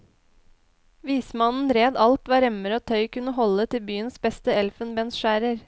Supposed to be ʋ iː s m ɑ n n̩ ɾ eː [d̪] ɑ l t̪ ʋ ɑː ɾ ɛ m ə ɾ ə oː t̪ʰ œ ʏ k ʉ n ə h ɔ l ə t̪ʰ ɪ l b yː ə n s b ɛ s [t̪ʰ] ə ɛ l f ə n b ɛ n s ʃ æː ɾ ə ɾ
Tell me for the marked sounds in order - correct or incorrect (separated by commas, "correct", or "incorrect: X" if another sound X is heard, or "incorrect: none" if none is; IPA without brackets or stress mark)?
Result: correct, incorrect: t̪